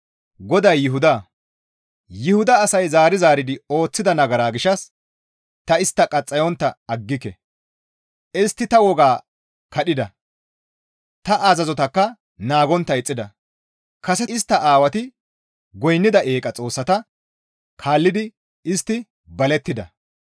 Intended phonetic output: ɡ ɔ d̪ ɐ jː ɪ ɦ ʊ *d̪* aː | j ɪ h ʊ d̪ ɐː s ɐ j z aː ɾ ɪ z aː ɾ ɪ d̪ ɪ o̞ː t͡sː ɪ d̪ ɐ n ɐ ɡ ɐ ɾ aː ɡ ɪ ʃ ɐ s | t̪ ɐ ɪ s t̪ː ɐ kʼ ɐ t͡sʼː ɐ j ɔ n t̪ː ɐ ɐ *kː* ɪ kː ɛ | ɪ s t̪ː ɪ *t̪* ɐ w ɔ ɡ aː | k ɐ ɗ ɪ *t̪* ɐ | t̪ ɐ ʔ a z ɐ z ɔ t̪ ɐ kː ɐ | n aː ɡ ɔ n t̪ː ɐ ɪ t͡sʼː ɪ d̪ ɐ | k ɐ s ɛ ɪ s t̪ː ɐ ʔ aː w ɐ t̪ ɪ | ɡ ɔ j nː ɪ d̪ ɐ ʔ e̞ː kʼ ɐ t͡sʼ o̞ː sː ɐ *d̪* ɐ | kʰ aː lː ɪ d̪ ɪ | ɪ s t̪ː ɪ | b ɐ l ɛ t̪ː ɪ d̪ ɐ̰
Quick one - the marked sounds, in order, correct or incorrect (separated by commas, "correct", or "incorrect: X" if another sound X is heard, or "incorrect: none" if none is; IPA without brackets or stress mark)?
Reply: correct, incorrect: ɡː, correct, incorrect: d̪, incorrect: t̪